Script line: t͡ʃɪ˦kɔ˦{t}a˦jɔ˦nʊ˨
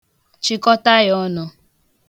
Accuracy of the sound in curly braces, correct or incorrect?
correct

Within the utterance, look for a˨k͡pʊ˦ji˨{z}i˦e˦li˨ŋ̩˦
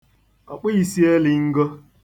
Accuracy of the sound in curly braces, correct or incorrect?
incorrect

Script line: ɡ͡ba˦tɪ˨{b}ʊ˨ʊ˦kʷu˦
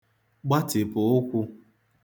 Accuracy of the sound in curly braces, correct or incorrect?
incorrect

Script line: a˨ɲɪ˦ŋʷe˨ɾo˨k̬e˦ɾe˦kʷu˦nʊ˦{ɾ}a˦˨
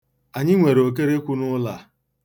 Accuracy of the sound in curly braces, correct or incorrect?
incorrect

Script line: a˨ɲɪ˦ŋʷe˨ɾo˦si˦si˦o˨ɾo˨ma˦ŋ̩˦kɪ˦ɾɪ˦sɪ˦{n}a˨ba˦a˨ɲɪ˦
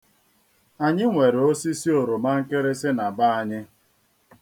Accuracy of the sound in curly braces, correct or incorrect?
correct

